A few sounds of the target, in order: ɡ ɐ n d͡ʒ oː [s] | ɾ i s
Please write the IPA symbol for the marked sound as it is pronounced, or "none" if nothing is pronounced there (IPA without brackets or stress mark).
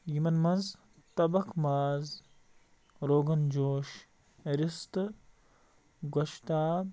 ʃ